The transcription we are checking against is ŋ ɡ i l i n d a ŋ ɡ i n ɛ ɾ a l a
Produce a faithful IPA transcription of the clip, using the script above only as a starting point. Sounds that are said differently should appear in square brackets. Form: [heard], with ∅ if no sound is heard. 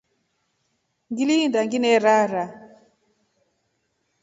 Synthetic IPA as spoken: ŋ ɡ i l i n d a ŋ ɡ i n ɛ ɾ a [ɾ] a